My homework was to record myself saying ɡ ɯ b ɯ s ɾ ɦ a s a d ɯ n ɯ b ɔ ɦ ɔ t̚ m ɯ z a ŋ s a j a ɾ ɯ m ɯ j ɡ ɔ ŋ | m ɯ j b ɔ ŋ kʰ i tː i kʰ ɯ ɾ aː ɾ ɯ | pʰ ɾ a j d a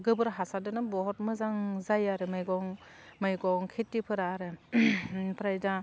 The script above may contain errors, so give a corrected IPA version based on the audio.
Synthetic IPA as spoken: ɡ ɯ b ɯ ɾ ɦ a s a d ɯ n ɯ b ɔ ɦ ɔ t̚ m ɯ z a ŋ z a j a ɾ ɯ m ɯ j ɡ ɔ ŋ | m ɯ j ɡ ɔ ŋ kʰ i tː i pʰ ɯ ɾ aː ɾ ɯ | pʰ ɾ a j d a